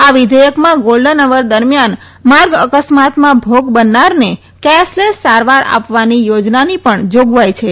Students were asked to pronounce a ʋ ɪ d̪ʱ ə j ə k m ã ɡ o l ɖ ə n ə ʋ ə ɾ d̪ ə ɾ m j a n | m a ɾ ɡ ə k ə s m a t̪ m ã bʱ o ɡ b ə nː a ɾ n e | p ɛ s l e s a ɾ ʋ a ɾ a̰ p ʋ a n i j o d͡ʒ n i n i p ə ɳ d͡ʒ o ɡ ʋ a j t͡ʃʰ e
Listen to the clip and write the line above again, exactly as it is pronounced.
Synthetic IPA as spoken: a ʋ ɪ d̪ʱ ə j ə k m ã ɡ o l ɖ ə n ə ʋ ə ɾ d̪ ə ɾ m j a n | m a ɾ ɡ ə k ə s m a t̪ m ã bʱ o ɡ b ə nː a ɾ n e | k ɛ s l e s a ɾ ʋ a ɾ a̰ p ʋ a n i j o d͡ʒ n a n i p ə ɳ d͡ʒ o ɡ ʋ a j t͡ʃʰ e